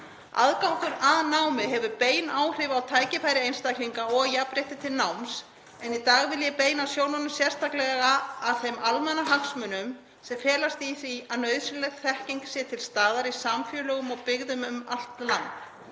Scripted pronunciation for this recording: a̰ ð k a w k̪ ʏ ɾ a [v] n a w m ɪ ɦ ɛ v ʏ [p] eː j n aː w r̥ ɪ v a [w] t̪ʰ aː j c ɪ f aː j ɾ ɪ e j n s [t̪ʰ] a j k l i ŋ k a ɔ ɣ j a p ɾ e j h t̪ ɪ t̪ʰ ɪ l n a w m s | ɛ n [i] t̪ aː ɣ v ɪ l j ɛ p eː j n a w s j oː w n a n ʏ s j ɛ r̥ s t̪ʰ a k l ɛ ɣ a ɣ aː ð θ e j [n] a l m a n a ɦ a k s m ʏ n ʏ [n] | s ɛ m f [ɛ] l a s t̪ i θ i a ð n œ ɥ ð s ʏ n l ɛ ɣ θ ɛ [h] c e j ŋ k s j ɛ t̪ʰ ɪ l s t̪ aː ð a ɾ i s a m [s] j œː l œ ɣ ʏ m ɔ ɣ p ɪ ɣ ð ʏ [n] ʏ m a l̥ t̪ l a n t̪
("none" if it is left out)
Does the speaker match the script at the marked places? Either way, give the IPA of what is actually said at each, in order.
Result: ð, p, w, t̪, i, m, m, ɛː, h, f, m

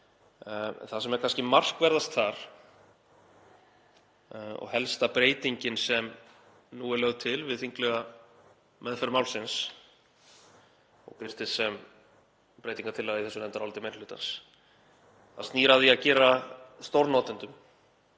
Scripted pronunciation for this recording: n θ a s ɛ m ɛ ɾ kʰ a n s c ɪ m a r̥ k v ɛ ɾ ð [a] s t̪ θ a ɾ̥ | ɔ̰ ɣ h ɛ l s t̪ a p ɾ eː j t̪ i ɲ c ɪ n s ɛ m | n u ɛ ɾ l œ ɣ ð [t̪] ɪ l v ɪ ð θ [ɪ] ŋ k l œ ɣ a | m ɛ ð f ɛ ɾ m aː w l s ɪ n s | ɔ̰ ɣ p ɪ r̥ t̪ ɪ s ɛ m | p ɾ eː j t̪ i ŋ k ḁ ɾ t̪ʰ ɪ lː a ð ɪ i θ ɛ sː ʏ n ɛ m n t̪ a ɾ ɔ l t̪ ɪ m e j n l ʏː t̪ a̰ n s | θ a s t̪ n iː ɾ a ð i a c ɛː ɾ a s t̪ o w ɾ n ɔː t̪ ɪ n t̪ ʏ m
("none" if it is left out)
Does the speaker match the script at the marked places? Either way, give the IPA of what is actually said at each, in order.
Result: a, t̪ʰ, i

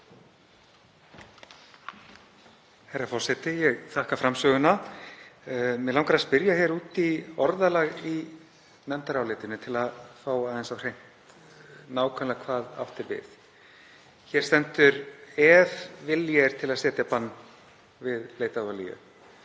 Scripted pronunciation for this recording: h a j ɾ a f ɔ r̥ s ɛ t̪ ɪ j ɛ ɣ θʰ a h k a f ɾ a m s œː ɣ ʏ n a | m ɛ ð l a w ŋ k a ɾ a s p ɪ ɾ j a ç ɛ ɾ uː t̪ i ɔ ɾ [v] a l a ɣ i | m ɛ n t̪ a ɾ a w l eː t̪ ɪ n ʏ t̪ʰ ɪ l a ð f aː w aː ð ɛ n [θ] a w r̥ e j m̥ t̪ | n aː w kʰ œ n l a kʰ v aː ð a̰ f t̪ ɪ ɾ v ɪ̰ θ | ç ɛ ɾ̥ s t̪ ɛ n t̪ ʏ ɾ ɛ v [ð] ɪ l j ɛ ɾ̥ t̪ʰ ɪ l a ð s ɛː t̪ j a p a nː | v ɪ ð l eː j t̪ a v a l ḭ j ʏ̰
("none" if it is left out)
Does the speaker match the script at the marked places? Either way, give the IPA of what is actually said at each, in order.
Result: ð, s, v

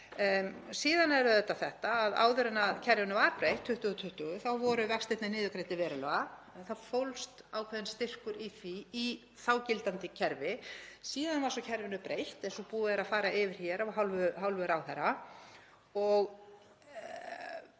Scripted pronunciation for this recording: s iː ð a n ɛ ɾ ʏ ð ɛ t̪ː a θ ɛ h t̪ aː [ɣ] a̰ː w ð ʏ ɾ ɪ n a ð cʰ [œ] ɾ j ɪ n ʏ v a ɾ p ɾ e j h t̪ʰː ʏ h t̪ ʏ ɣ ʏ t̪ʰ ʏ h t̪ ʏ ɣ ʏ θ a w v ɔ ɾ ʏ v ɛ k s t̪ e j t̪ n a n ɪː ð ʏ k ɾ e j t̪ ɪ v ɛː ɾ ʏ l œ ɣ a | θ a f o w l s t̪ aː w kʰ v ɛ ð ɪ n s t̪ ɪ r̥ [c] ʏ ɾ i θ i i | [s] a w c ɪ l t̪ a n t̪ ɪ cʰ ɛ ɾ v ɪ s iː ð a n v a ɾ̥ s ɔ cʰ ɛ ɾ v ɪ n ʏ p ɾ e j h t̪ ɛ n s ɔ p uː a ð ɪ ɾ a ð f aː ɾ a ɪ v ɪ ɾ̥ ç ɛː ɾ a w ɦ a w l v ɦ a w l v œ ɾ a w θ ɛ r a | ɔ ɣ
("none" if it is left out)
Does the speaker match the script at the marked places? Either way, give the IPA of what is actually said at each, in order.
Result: ð, ɛ, k, θ

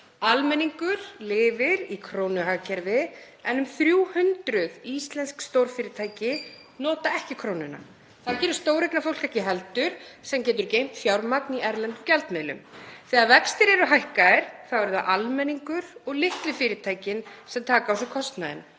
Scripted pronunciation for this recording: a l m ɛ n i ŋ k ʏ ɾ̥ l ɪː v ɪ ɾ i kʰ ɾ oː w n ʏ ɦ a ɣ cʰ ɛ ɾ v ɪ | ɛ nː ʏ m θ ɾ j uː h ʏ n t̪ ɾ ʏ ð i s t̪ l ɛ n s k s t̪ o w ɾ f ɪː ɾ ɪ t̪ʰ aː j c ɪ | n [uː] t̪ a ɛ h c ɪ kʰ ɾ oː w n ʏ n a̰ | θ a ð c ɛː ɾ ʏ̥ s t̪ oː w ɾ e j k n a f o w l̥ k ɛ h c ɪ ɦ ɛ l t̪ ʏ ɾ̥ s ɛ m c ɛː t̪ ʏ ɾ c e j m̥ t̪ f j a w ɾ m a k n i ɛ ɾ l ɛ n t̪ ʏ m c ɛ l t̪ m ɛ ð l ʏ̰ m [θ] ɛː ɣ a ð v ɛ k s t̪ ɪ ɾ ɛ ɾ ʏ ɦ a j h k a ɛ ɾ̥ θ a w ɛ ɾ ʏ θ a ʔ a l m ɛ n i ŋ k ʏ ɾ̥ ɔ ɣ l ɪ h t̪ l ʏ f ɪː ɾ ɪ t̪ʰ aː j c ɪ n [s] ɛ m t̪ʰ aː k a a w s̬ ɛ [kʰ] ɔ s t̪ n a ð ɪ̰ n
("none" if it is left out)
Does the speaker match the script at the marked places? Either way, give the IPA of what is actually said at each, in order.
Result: ɔː, θ, s, kʰ

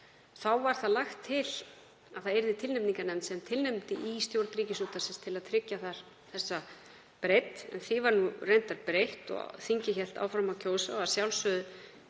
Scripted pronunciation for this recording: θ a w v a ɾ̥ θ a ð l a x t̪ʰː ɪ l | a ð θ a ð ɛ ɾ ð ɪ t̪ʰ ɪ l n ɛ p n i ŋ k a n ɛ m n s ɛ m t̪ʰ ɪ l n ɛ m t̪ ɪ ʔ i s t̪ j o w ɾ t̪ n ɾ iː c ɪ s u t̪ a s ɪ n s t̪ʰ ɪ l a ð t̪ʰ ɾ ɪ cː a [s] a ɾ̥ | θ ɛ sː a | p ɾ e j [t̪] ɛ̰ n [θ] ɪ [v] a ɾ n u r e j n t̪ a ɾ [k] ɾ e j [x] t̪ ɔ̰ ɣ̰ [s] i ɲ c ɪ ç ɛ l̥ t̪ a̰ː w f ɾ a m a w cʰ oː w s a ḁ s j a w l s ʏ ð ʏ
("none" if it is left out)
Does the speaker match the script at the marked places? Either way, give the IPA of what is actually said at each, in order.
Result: θ, t̪, θ, v, p, h, θ

